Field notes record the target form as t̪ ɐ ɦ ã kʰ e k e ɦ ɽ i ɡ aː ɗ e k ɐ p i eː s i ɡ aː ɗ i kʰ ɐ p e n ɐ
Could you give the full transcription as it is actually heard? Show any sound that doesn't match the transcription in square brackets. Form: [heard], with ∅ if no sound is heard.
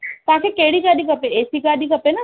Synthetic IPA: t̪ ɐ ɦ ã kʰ e k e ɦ ɽ i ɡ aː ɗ [i] k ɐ p [e] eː s i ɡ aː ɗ i [k] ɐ p e n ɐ